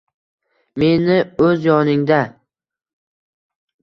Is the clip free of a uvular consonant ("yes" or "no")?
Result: yes